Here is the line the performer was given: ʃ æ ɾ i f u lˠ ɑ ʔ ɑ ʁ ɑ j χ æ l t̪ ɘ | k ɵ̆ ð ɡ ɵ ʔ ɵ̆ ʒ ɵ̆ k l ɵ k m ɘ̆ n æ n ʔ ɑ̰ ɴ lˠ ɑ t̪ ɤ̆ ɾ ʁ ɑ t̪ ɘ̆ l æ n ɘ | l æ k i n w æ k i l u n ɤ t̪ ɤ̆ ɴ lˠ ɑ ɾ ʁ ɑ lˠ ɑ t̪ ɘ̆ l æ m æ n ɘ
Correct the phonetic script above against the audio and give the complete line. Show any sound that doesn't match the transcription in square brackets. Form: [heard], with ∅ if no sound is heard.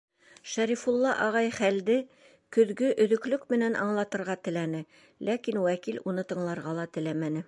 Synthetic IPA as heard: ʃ æ ɾ i f u [lˠː] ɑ ʔ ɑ ʁ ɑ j χ æ l [d̪] ɘ | k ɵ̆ ð ɡ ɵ ʔ ɵ̆ [ð] ɵ̆ k l ɵ k m ɘ̆ n æ n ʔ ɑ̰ ɴ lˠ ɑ t̪ ɤ̆ ɾ ʁ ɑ t̪ ɘ̆ l æ n ɘ | l æ k i n w æ k i l u n ɤ t̪ ɤ̆ ɴ lˠ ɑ ɾ ʁ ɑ lˠ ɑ t̪ ɘ̆ l æ m æ n ɘ